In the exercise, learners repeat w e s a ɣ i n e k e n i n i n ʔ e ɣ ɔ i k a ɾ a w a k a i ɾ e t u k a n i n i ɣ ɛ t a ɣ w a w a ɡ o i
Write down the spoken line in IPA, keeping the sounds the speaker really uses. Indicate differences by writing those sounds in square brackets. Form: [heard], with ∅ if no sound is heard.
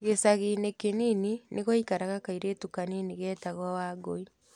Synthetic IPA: [ɣ] e s a ɣ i n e k e n i n i n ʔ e ɣ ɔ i k a ɾ a [ɣ] a k a i ɾ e t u k a n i n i ɣ ɛ t a ɣ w a w a ɡ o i